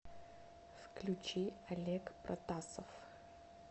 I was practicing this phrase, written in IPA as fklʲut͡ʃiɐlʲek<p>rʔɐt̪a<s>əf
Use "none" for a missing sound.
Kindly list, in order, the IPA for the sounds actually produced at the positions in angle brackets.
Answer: p, s

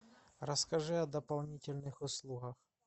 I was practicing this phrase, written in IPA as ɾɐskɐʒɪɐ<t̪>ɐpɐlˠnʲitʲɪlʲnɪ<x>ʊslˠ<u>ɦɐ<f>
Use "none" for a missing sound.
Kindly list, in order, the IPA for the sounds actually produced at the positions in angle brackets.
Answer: d̪, x, u, x

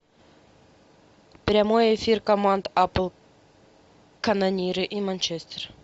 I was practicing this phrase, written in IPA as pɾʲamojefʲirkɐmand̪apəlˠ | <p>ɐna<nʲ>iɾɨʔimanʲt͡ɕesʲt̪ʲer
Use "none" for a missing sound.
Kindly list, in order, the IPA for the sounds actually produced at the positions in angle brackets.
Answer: k, nʲ

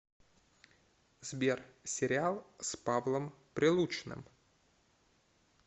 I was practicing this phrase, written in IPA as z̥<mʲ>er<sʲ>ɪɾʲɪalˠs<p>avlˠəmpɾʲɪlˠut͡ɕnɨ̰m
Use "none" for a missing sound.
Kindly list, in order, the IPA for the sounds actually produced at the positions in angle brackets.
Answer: bʲ, sʲ, p

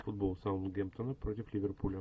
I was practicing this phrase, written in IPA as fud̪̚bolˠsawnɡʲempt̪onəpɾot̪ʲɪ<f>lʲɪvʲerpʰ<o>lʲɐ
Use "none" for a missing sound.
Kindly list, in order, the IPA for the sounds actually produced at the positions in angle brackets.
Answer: f, u

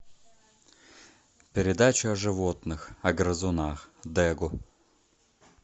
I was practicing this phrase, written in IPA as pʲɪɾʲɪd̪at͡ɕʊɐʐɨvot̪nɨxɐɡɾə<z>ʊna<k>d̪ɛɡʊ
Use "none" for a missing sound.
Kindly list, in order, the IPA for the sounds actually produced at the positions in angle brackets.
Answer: z, x

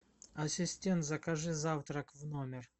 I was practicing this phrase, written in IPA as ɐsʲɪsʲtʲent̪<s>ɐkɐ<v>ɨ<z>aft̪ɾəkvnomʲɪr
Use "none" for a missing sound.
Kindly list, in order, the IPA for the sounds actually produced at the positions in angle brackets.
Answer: z, ʐ, z

